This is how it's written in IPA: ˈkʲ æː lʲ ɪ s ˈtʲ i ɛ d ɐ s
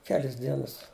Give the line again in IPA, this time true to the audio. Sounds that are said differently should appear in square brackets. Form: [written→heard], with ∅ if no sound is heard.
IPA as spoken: ˈkʲ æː lʲ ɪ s [ˈtʲ→ˈdʲ] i ɛ [d→n] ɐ s